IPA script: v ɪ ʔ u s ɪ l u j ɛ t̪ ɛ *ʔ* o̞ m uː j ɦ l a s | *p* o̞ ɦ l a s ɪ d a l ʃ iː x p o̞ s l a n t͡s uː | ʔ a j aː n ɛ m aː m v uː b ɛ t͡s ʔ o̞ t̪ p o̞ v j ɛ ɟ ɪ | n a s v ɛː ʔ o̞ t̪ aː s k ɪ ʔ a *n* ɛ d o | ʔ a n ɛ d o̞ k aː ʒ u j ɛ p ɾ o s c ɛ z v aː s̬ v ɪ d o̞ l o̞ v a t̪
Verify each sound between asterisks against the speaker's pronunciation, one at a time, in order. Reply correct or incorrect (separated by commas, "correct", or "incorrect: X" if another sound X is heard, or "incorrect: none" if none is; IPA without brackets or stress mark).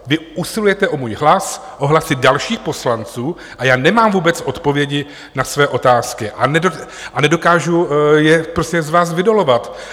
correct, incorrect: ʔ, correct